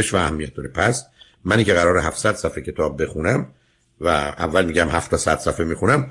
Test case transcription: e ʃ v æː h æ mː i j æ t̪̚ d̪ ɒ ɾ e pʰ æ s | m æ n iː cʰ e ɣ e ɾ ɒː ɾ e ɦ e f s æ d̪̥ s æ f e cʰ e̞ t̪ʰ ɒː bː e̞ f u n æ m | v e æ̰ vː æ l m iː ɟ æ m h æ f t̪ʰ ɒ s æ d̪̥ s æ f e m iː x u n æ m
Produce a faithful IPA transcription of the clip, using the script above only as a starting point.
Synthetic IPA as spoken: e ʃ v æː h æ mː i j æ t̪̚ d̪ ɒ ɾ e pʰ æ s | m æ n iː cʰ e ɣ æ ɾ ɒː ɾ e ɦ æ f s æ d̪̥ s æ f e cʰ e̞ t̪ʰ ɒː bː e̞ x u n æ m | v æ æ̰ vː æ l m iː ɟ æ m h æ f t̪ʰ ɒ s æ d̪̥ s æ f e m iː x u n æ m